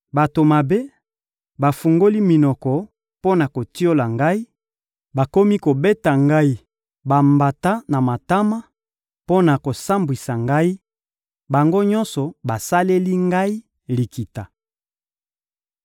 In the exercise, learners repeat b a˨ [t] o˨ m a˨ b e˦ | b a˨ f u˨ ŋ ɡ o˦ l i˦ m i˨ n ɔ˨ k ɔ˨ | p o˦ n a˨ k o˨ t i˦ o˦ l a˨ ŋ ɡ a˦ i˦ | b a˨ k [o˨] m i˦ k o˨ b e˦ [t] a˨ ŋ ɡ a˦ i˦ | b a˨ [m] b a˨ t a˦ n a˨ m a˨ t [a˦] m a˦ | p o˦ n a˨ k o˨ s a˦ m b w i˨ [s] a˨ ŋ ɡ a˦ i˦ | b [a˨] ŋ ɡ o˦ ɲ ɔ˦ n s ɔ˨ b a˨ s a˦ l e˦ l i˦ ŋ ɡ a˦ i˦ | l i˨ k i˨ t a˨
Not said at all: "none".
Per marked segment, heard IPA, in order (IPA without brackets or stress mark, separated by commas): t, o˦, t, m, a˦, s, a˨